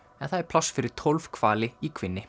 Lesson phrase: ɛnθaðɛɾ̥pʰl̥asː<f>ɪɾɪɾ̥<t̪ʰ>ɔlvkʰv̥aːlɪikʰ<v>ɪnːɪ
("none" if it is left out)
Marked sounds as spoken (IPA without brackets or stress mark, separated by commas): f, t̪ʰ, v